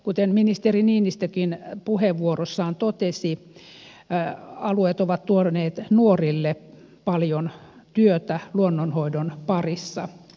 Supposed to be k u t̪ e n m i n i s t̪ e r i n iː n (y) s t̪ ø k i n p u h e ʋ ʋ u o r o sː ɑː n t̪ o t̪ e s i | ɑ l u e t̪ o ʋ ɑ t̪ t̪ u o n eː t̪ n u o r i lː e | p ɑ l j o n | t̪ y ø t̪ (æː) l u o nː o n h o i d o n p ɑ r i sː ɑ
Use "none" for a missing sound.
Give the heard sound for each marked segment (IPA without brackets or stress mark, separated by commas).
i, æ